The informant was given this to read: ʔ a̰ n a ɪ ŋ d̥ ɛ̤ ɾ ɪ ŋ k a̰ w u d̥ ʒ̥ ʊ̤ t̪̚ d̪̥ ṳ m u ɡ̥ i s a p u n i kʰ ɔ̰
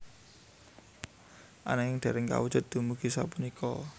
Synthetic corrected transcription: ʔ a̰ n a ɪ ŋ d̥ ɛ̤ ɾ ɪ ŋ k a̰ w u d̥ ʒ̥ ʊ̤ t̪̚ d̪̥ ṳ m u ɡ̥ i s a p u n i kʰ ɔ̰